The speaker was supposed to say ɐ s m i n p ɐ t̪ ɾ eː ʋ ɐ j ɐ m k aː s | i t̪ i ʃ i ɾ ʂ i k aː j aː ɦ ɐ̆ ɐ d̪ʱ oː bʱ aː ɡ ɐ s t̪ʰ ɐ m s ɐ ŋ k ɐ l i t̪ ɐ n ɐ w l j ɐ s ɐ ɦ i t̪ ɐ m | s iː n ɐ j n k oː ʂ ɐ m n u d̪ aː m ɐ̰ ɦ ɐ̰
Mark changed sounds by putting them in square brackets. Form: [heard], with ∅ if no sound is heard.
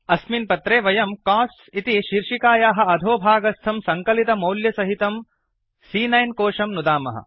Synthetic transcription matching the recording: ɐ s m i n p ɐ t̪ ɾ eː ʋ ɐ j ɐ m k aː s | i t̪ i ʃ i ɾ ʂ i k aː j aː ɦ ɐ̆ ɐ d̪ʱ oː bʱ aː ɡ ɐ s t̪ʰ ɐ m s ɐ ŋ k ɐ l i t̪ ɐ [m] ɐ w l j ɐ s ɐ ɦ i t̪ ɐ m | s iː n ɐ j n k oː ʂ ɐ m n u d̪ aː m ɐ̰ ɦ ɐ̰